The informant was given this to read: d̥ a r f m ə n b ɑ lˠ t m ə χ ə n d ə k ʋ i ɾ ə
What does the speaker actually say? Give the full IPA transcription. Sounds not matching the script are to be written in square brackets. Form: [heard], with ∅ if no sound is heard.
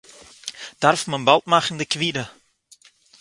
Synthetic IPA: d̥ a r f m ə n b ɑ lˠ t m [a] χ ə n d ə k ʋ i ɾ ə